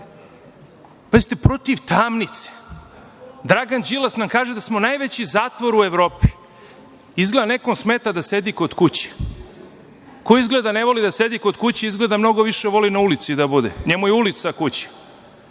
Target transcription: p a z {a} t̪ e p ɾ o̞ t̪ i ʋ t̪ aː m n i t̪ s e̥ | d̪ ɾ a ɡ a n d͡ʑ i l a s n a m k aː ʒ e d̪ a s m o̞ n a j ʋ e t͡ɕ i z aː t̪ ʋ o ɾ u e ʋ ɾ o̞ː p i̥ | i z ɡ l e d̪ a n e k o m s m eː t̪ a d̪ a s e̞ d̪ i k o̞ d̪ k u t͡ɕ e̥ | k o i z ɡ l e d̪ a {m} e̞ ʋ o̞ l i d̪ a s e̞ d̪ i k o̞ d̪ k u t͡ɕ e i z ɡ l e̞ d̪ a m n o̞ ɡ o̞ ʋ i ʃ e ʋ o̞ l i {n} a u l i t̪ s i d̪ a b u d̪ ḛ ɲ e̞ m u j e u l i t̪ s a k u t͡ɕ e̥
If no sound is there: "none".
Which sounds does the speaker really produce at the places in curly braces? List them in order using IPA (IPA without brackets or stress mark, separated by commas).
i, n, n